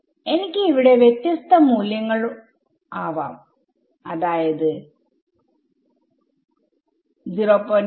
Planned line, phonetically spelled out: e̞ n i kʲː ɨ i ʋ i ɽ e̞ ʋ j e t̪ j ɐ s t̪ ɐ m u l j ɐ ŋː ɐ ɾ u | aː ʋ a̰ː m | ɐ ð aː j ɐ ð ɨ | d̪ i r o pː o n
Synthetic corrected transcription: e̞ n i kʲː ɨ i ʋ i ɽ e̞ ʋ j e t̪ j ɐ s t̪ ɐ m uː l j ɐ ŋː ɐ ɭ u | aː ʋ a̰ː m | ɐ ð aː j ɐ ð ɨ | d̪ i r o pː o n